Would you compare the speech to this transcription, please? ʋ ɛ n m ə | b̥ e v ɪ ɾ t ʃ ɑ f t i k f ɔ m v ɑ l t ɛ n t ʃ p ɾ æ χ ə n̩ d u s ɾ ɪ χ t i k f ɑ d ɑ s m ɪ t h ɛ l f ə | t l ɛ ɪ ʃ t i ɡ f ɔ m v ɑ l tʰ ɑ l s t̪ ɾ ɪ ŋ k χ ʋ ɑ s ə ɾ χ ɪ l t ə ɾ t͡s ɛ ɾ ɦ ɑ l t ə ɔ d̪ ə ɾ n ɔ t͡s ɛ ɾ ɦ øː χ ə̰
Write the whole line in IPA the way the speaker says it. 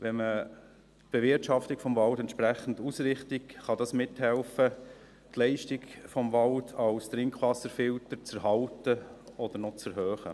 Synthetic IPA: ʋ ɛ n m ə | b̥ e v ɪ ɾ t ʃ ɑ f t i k f ɔ m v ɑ l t ɛ n t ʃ p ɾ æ χ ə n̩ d u s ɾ ɪ χ t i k χ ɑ d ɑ s m ɪ t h ɛ l f ə | t l ɛ ɪ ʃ t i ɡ f ɔ m v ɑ l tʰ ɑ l s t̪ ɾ ɪ ŋ k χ ʋ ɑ s ə ɾ f ɪ l t ə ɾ t͡s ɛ ɾ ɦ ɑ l t ə ɔ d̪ ə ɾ n ɔ t͡s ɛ ɾ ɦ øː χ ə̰

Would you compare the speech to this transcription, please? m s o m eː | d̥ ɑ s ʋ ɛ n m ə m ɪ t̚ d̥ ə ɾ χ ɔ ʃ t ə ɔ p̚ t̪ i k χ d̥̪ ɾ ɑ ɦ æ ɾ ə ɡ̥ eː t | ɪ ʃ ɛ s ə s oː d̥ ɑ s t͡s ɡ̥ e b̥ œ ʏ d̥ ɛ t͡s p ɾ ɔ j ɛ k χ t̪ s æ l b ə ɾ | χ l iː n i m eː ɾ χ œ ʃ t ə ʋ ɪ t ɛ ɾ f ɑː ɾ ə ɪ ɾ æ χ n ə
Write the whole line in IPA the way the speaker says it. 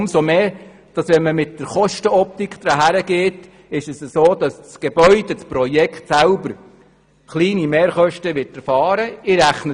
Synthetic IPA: m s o m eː | d̥ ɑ s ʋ ɛ n m ə m ɪ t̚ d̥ ə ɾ χ ɔ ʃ t ə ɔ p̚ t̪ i k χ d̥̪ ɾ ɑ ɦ æ ɾ ə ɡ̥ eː t | ɪ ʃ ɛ s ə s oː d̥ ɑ s t͡s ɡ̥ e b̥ œ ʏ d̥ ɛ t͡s p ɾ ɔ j ɛ k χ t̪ s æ l b ə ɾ | χ l iː n i m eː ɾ χ œ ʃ t ə ʋ ɪ t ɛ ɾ f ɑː ɾ ə ɪ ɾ æ χ n ə

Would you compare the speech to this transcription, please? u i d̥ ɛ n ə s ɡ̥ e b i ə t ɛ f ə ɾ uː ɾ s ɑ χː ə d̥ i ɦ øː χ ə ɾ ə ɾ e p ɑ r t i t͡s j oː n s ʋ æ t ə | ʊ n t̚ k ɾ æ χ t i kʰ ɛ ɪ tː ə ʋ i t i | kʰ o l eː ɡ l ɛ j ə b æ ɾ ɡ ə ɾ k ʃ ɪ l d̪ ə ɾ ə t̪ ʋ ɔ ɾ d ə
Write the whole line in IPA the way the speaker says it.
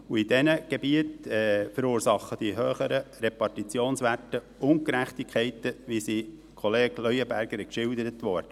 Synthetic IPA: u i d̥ ɛ n ə ɡ̥ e b i ə t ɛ f ə ɾ uː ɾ s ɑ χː ə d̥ i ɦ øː χ ə ɾ ə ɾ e p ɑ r t i t͡s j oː n s ʋ æ t ə | ʊ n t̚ k ɾ æ χ t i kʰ ɛ ɪ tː ə ʋ i s i | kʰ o l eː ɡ l œ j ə b æ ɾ ɡ ə ɾ k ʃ ɪ l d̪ ə ɾ ə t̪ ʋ ɔ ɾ d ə

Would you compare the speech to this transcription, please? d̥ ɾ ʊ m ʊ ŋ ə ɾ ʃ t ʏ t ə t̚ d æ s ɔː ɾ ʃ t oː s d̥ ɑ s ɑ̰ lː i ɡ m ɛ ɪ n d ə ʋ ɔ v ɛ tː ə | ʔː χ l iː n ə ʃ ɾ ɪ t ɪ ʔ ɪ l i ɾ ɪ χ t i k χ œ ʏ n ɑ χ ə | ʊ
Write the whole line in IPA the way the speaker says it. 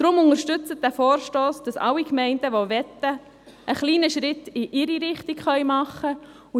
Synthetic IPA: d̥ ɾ ʊ m ʊ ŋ ə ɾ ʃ t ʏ t͡s ə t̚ d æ f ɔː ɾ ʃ t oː s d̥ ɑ s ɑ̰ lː i k m ɛ ɪ n d ə ʋ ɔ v ɛ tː ə | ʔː χ l iː n ə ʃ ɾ ɪ t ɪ ʔ ɪ ɾ i ɾ ɪ χ t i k χ œ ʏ m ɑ χ ə | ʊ

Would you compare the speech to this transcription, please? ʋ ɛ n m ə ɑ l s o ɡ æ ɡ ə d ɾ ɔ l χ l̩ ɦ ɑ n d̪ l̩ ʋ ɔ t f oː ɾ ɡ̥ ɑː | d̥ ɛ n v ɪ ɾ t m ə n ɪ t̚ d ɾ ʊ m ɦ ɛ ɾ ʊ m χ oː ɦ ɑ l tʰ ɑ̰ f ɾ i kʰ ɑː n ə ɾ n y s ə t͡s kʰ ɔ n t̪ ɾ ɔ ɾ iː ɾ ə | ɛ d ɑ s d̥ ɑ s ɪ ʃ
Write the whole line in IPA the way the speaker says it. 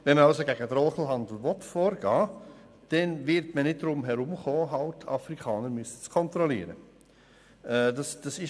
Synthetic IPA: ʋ ɛ n m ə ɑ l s o ɡ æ ɡ ə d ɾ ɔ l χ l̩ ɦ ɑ n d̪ l̩ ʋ ɔ t f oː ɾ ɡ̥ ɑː | d̥ ɛ n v ɪ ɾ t m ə n ɪ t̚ d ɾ ʊ m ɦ ɛ ɾ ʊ m χ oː ɦ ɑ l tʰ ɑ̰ f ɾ i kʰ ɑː n ə ɾ m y s ə t͡s kʰ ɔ n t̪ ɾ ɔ l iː ɾ ə | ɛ d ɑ s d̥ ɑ s ɪ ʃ

